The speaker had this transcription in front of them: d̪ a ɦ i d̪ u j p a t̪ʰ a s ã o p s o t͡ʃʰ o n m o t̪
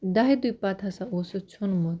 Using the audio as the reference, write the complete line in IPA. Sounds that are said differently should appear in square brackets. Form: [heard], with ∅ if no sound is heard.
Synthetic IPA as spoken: d̪ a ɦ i d̪ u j p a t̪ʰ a s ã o [∅] s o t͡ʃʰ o n m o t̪